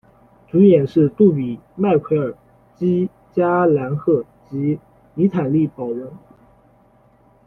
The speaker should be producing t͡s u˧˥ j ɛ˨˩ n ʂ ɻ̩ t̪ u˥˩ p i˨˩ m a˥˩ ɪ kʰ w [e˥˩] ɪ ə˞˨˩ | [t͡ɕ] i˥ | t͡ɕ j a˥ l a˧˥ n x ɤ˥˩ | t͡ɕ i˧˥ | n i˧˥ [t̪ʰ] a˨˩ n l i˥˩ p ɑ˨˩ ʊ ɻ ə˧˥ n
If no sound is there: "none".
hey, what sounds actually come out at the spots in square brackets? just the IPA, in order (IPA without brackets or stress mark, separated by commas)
e˧˥, t͡ɕ, t̪ʰ